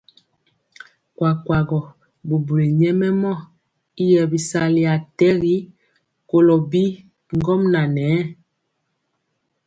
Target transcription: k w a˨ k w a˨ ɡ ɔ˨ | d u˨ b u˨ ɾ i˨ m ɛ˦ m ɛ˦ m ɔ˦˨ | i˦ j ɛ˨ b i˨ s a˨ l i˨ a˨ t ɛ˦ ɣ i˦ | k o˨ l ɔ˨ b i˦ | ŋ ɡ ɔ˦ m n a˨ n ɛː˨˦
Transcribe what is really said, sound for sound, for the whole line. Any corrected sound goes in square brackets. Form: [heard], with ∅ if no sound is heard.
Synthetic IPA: k w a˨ k w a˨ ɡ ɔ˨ | [b] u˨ b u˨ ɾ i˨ [ɲ] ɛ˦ m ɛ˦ m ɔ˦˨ | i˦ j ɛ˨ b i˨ s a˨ l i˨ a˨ t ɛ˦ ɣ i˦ | k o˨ l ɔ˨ b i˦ | ŋ ɡ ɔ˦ m n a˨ n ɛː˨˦